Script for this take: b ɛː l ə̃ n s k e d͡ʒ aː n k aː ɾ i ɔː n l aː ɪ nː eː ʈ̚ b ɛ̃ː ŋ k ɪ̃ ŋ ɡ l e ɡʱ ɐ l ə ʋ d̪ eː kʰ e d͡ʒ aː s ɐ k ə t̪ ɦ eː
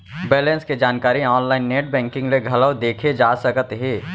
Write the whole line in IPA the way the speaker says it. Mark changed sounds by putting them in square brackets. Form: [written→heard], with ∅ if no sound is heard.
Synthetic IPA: b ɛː l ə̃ n s k e d͡ʒ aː n k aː ɾ i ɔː n l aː ɪ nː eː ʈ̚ b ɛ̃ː ŋ k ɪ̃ ŋ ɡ l e ɡʱ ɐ l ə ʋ d̪ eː kʰ e d͡ʒ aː s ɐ k ə t̪ ɦ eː